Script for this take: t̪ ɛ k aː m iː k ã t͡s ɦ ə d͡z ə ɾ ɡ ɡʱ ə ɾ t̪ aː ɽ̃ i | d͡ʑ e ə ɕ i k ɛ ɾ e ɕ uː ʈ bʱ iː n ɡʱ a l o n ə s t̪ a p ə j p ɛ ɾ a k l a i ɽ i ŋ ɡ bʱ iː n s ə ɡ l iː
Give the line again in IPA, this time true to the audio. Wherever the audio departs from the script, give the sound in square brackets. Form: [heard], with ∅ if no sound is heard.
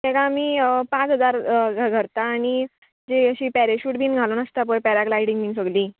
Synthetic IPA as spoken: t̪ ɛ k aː m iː [p] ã t͡s ɦ ə d͡z [a] ɾ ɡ ɡʱ ə ɾ t̪ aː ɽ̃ i | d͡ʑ e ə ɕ i [p] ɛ ɾ e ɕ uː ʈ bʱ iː n ɡʱ a l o n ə s t̪ a p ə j p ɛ ɾ a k l a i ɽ i ŋ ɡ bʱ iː n s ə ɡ l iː